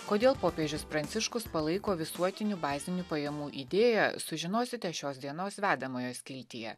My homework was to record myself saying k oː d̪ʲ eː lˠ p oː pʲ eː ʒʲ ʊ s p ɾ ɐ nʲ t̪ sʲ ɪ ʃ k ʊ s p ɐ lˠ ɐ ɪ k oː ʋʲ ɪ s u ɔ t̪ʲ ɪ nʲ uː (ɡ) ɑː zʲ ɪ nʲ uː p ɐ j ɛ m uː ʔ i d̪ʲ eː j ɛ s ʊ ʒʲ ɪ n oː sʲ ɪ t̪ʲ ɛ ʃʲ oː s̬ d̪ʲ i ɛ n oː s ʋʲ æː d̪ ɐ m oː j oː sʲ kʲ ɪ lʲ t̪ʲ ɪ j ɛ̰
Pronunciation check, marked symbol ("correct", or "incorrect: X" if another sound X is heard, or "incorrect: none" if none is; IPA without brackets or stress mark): incorrect: b